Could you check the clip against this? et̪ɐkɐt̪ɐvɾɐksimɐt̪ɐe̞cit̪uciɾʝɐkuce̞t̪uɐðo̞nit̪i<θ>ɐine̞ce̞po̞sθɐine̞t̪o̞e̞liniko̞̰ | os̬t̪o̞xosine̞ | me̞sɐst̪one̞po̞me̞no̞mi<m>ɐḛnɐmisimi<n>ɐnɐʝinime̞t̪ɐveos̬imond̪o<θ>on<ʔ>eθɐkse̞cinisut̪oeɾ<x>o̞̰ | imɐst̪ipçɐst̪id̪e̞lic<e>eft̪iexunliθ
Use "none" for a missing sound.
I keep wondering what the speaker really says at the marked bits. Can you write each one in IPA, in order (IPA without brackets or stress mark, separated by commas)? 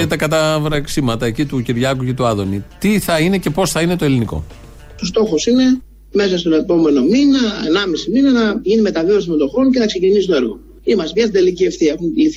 θ, n, n, x, c, ɣ, i